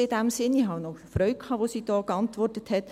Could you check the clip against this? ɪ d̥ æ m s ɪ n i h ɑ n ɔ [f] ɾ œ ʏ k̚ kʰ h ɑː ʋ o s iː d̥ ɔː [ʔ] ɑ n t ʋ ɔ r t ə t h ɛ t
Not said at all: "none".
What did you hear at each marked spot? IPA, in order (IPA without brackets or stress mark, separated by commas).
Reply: f, k